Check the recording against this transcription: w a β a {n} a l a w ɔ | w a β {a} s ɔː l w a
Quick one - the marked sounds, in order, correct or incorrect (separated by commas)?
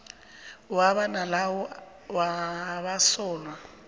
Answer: correct, correct